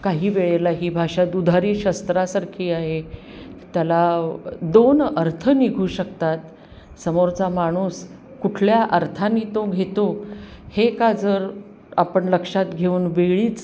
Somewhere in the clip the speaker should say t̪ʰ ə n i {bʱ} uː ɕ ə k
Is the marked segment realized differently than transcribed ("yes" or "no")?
yes